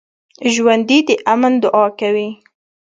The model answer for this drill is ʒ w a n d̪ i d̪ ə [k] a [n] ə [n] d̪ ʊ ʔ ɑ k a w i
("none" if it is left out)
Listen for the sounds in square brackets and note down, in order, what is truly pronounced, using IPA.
ʔ, m, n

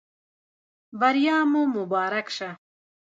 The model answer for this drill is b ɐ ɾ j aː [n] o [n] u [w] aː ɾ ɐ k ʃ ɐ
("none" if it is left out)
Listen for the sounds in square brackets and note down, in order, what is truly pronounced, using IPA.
m, m, b

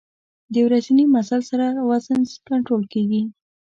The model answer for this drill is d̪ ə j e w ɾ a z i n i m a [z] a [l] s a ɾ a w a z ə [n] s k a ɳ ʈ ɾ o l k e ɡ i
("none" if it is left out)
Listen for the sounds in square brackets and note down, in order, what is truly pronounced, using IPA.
s, l, n

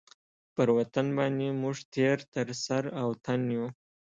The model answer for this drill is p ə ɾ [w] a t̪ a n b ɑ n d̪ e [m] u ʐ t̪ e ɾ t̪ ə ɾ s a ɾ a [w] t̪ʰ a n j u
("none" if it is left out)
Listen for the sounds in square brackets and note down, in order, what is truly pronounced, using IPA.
w, m, w

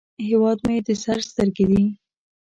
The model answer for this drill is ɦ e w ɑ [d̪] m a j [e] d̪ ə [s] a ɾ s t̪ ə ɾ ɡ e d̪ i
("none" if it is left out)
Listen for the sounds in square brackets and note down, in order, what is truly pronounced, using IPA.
d̪, e, s

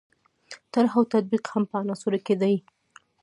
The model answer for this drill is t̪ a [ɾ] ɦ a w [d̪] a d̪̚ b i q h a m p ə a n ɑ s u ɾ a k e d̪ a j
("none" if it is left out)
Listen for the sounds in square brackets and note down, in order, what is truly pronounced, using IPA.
ɾ, t̪

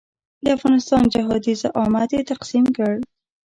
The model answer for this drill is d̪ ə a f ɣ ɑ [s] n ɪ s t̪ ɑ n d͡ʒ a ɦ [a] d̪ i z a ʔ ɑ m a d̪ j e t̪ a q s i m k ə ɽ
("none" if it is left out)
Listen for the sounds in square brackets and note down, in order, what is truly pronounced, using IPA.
none, ɑ

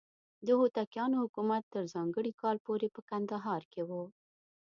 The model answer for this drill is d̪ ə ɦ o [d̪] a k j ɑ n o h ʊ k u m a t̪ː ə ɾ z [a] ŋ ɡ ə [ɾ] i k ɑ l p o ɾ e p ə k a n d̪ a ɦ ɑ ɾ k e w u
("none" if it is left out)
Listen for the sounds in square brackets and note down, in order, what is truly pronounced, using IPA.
t̪, ɑ, ɽ

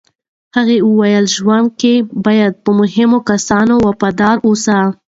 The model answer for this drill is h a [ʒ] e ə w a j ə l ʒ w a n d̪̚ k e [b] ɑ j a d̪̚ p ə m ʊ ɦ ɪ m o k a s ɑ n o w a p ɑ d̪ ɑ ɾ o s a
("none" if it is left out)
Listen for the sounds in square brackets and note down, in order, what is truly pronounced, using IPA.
ɣ, b

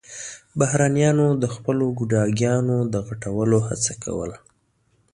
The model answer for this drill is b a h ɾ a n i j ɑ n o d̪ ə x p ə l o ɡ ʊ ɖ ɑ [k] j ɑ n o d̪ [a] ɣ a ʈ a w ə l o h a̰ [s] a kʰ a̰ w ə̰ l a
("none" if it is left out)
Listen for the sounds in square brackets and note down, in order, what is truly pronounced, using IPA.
ɡ, ə, t͡s

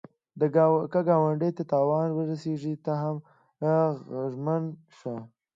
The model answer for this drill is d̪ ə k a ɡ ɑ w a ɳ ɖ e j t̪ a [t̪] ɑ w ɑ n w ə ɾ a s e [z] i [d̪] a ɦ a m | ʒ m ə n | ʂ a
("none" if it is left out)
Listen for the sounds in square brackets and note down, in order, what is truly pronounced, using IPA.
t̪, ʐ, t̪

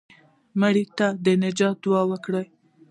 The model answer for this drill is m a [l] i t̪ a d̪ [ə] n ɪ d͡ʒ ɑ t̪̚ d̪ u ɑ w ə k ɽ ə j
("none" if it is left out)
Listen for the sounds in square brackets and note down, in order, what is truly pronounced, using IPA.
ɽ, ə

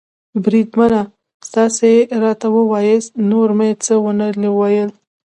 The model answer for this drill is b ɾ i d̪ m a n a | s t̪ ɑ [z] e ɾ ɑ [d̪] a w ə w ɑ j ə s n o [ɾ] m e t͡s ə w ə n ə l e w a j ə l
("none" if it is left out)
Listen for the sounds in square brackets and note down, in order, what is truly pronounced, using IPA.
s, t̪, ɾ

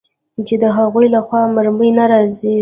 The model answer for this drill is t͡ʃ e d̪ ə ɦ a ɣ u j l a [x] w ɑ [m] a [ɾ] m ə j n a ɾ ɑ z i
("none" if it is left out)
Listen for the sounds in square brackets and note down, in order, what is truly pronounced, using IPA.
x, m, ɾ

